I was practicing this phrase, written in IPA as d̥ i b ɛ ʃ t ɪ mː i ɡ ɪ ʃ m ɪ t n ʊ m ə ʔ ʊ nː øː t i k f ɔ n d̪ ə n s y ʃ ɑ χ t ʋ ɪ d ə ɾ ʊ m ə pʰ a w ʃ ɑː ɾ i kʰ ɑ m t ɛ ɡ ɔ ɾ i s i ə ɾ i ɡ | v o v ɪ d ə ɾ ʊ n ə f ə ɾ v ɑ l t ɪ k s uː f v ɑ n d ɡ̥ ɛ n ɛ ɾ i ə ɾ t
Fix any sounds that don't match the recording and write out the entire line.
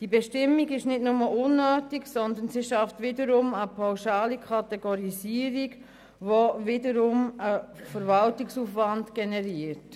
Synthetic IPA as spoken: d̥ i b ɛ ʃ t ɪ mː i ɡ ɪ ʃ n ɪ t n ʊ m ə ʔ ʊ nː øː t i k s ɔ n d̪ ə n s i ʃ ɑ f t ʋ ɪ d ə ɾ ʊ m ə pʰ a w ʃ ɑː l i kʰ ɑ t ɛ ɡ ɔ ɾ i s i ə ɾ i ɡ | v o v ɪ d ə ɾ ʊ m ə f ə ɾ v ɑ l t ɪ k s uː f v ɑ n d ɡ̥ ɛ n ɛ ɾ i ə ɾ t